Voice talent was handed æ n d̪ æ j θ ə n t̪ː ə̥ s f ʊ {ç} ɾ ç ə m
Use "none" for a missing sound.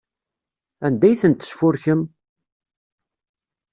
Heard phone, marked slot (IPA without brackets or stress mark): none